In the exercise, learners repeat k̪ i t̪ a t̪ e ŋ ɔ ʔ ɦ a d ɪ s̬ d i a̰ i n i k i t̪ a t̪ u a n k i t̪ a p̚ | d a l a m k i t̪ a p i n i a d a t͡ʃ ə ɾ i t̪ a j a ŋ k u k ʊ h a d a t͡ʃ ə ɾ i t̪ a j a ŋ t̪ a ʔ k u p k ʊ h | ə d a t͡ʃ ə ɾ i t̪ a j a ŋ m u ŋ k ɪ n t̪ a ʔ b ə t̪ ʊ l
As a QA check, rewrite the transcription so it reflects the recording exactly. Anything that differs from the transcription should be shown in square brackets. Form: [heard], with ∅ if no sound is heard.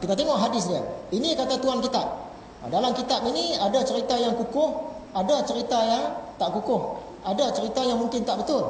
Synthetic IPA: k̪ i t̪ a t̪ e ŋ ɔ ʔ ɦ a d ɪ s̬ d i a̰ i n i k [a] t̪ a t̪ u a n k i t̪ a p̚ | d a l a m k i t̪ a p i n i a d a t͡ʃ ə ɾ i t̪ a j a ŋ k u k ʊ h a d a t͡ʃ ə ɾ i t̪ a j a ŋ t̪ a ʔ k u [∅] k ʊ h | [a] d a t͡ʃ ə ɾ i t̪ a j a ŋ m u ŋ k ɪ n t̪ a ʔ b ə t̪ ʊ l